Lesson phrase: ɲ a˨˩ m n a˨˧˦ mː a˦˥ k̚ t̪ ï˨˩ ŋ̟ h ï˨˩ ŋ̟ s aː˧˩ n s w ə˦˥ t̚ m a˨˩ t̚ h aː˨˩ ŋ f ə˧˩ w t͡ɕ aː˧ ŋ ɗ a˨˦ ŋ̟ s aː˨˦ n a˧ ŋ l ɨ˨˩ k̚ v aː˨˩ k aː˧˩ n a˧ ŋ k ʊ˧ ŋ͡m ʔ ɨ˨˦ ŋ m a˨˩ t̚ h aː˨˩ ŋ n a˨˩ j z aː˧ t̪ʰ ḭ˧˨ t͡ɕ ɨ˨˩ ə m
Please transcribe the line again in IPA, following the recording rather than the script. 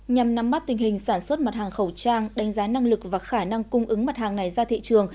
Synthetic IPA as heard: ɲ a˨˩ m n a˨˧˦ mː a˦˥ t̚ t̪ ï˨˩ ŋ̟ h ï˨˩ ŋ̟ s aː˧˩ n s w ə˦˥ t̚ m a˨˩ t̚ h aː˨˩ ŋ x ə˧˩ w t͡ɕ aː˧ ŋ ɗ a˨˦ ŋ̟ z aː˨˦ n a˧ ŋ l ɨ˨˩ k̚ v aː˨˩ x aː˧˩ n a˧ ŋ k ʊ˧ ŋ͡m ʔ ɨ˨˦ ŋ m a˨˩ t̚ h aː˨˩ ŋ n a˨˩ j z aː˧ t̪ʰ ḭ˧˨ t͡ɕ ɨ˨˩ ə ŋ